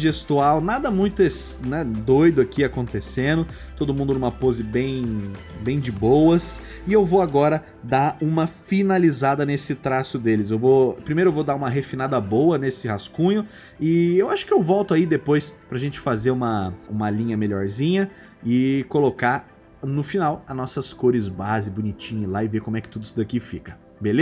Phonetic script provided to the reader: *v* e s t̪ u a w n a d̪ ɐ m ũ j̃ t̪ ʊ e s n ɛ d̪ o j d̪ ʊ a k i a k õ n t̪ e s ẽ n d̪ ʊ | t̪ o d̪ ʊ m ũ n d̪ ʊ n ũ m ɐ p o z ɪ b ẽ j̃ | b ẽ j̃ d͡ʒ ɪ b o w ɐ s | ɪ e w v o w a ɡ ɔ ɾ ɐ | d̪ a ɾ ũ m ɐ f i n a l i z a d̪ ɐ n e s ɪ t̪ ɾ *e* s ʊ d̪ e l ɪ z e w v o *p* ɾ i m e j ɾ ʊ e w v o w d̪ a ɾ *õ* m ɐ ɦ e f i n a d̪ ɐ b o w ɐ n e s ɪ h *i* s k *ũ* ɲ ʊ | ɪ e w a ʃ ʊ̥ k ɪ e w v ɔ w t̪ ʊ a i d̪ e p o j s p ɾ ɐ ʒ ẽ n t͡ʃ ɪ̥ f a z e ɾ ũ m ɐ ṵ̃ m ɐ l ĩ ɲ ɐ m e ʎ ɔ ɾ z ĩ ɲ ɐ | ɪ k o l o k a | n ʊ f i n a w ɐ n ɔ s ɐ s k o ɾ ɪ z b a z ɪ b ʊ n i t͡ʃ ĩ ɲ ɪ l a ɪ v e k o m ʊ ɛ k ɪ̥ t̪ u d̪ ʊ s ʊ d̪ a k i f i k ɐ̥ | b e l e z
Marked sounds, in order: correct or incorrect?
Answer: incorrect, incorrect, correct, incorrect, incorrect, correct

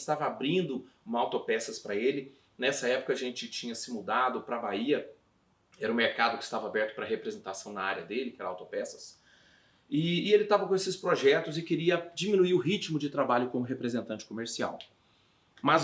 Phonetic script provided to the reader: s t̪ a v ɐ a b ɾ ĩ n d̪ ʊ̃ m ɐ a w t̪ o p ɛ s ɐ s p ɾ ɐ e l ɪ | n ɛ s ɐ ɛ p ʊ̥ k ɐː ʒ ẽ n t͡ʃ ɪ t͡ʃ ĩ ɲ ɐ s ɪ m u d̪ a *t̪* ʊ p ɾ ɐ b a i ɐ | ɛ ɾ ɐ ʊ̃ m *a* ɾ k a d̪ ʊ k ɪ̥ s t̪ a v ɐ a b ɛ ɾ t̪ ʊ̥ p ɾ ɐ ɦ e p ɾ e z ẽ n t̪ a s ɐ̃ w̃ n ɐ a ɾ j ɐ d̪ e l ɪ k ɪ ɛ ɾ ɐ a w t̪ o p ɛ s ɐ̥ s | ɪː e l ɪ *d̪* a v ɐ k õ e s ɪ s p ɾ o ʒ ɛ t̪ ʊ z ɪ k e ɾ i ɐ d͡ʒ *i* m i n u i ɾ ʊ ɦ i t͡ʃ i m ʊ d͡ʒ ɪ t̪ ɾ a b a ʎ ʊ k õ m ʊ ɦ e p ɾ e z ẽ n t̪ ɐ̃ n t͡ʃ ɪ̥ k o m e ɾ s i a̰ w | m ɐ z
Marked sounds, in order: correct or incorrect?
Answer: incorrect, incorrect, incorrect, correct

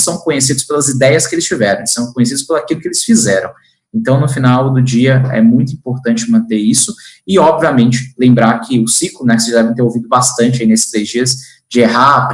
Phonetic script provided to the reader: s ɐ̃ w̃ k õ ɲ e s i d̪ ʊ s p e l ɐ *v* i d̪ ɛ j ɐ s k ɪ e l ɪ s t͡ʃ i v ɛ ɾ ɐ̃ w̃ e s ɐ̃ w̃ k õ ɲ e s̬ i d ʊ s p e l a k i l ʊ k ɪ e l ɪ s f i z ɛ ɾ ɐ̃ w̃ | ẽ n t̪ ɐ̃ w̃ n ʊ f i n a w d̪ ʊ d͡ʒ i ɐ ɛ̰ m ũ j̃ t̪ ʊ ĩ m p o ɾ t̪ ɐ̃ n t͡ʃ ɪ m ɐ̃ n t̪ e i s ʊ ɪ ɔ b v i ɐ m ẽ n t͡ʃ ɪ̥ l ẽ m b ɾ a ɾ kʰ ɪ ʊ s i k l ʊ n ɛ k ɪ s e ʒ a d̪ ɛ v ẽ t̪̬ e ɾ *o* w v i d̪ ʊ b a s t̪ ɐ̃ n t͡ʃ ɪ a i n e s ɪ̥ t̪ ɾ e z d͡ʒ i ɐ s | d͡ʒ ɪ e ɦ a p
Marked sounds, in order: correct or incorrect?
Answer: incorrect, correct

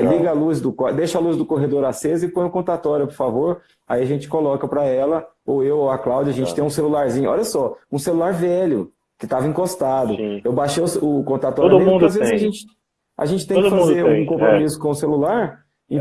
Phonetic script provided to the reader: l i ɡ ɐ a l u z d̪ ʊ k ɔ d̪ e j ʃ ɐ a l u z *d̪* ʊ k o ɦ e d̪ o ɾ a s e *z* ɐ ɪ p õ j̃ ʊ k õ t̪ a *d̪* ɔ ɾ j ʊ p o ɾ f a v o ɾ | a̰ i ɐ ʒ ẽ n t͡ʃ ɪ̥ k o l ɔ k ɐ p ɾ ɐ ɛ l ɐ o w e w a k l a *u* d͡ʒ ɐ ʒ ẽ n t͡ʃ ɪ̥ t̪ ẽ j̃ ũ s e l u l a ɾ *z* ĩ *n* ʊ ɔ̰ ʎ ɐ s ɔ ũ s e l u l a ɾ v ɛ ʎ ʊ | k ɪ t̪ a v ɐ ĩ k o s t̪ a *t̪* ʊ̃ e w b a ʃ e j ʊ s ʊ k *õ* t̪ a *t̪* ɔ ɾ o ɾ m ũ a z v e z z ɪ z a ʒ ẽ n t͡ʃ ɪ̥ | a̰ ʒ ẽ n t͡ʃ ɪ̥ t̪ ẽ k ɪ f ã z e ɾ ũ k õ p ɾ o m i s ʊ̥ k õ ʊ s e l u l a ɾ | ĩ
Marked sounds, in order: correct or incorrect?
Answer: correct, correct, incorrect, incorrect, correct, incorrect, incorrect, correct, correct

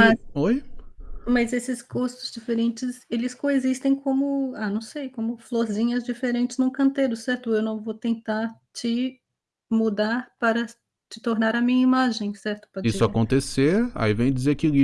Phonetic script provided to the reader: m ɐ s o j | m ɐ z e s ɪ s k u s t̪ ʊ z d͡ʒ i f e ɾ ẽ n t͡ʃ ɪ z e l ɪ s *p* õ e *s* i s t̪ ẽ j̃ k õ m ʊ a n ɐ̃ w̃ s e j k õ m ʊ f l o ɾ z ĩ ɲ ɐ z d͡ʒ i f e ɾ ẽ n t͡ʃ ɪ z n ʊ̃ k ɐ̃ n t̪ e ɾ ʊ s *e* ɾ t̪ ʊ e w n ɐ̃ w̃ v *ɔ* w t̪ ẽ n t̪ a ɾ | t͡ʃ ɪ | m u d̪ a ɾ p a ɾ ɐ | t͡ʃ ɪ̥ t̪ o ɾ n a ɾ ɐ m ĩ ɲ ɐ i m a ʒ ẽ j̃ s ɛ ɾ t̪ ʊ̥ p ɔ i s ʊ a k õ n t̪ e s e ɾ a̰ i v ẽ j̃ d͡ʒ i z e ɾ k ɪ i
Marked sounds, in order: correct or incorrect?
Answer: incorrect, incorrect, incorrect, incorrect

